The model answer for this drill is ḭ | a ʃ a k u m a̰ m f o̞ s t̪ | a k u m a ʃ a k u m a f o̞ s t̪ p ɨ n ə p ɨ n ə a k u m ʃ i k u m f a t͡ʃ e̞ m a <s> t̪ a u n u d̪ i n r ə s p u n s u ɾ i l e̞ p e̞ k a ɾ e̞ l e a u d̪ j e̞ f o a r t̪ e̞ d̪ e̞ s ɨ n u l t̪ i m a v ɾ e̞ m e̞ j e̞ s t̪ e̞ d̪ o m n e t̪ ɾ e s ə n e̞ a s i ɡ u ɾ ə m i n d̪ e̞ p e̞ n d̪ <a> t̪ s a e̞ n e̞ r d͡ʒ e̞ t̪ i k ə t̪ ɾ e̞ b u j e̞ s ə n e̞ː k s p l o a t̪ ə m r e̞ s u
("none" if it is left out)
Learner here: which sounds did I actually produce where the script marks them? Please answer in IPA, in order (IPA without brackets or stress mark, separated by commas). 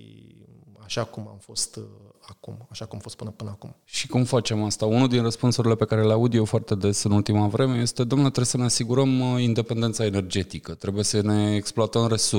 s, e